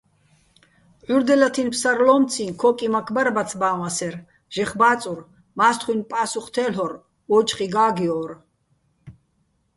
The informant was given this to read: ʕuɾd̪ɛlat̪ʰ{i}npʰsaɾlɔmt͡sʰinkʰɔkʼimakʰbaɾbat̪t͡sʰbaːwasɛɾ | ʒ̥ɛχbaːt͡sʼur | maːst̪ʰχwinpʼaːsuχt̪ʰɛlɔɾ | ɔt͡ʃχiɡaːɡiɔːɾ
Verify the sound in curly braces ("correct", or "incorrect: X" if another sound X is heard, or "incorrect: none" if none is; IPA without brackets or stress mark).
correct